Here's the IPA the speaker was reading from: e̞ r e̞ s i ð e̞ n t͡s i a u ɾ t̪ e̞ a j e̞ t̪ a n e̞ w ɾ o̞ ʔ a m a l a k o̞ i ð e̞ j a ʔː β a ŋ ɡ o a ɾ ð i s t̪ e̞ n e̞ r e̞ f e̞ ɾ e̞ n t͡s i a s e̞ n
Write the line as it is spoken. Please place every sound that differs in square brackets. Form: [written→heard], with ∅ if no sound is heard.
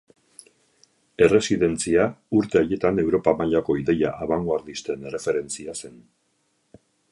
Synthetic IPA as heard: e̞ r e̞ s i ð e̞ n t͡s i a u ɾ t̪ e̞ a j e̞ t̪ a n e̞ w ɾ o̞ [ʔ→p] a m a [l→ʎ] a k o̞ i ð e̞ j a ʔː β a ŋ ɡ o a ɾ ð i s t̪ e̞ n e̞ r e̞ f e̞ ɾ e̞ n t͡s i a s e̞ n